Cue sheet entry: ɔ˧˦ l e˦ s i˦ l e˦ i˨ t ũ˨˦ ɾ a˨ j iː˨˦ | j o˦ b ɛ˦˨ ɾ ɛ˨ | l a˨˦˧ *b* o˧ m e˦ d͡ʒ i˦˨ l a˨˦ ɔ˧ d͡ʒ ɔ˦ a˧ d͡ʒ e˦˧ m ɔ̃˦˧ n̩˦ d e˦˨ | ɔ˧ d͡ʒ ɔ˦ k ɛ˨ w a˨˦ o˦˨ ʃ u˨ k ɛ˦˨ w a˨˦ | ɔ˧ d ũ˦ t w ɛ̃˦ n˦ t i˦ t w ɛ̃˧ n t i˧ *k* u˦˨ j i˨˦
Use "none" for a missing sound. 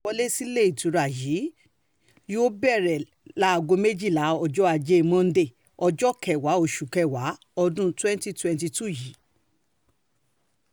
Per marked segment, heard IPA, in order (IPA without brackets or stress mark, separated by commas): ɡ, t